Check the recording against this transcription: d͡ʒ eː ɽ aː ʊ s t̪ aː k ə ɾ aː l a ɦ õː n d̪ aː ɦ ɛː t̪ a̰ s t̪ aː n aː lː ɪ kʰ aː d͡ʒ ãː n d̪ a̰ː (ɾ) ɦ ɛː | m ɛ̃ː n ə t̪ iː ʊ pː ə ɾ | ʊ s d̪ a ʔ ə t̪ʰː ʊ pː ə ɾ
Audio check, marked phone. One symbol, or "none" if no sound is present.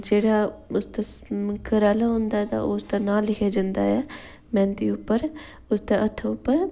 none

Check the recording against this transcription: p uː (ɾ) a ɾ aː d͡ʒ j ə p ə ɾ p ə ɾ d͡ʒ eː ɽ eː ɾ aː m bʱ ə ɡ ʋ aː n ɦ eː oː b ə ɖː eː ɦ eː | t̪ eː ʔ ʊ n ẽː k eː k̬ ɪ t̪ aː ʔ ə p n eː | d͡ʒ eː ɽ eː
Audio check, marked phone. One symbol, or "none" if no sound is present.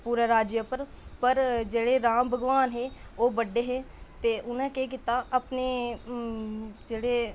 ɾ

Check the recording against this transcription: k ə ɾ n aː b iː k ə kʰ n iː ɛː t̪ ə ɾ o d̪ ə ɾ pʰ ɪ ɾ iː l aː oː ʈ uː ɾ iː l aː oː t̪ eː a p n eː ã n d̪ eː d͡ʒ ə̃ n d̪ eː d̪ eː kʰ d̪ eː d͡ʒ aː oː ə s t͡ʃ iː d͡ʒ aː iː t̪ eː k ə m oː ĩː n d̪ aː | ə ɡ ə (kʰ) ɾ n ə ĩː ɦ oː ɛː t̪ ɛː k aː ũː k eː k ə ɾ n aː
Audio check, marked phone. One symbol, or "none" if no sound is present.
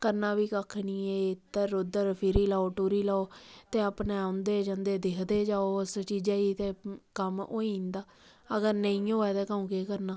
none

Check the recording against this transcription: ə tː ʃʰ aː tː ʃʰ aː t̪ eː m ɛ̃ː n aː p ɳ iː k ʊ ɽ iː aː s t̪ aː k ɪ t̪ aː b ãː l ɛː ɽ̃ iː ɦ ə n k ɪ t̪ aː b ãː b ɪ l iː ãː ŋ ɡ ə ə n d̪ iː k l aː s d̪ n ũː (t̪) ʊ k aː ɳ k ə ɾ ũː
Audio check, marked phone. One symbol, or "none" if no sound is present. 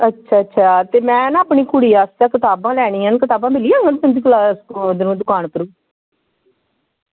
d̪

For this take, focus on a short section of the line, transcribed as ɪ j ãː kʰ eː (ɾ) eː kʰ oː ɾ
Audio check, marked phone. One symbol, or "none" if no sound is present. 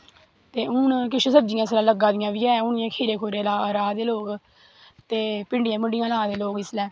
ɾ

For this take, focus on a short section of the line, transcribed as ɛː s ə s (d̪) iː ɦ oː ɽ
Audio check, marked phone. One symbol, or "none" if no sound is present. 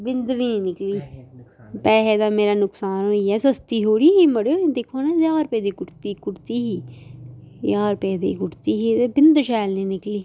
t̪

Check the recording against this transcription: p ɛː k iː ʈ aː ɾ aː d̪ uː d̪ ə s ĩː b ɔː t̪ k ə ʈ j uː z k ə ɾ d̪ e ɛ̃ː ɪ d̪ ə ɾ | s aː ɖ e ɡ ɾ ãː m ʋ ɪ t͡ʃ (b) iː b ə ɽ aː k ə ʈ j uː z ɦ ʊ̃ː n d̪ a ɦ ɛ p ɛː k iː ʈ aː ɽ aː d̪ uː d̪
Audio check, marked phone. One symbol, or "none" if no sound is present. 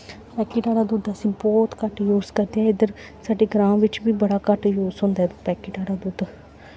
b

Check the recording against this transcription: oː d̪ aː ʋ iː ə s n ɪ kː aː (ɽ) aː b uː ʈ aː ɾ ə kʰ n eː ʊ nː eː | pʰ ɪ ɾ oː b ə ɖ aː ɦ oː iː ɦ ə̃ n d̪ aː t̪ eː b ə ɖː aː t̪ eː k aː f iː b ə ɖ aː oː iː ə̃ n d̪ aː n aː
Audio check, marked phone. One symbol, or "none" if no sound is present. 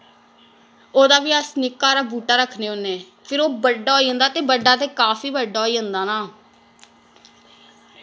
ɾ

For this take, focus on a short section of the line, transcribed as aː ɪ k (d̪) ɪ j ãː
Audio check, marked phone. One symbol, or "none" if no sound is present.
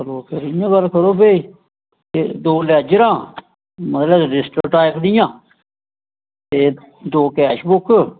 d̪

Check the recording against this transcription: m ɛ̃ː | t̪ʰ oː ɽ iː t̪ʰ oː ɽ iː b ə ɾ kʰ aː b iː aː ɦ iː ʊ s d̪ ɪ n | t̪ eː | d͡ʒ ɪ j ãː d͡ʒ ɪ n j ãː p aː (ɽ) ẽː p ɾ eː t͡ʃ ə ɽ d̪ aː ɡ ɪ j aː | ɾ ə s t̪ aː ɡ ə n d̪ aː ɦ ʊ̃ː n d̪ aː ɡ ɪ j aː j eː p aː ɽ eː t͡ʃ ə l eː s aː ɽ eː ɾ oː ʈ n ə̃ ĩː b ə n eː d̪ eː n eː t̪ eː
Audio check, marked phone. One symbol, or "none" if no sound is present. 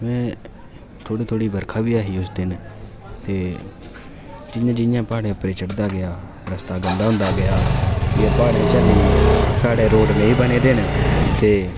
ɽ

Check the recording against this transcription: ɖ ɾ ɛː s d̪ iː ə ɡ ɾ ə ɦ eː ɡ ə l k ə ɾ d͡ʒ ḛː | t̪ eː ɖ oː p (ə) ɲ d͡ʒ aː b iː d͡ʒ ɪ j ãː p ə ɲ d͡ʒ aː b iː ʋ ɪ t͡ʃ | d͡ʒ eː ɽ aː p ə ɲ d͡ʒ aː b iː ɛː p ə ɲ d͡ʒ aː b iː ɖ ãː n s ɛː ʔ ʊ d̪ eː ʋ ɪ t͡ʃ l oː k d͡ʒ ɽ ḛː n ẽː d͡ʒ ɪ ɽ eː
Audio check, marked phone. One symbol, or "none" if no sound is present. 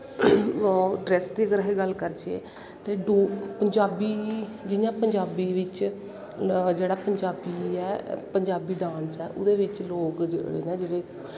ə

